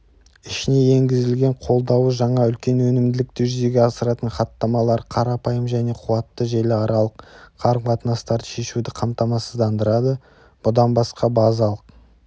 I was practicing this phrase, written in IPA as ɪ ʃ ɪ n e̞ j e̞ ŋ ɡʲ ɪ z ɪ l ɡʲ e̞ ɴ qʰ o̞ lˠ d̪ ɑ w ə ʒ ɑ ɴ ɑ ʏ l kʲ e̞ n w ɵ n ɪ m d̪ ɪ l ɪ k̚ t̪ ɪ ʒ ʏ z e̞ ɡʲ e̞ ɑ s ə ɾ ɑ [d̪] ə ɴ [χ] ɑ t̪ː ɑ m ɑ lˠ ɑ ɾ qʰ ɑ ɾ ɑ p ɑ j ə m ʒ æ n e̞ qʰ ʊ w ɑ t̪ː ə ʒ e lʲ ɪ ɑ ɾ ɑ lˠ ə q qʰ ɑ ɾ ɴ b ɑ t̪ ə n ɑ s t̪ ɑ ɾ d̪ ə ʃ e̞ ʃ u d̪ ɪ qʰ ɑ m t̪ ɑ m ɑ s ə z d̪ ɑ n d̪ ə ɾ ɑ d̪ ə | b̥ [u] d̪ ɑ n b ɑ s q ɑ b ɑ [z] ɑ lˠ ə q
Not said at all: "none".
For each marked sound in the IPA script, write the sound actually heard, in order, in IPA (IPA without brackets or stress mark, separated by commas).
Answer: t̪, χ, ʊ, z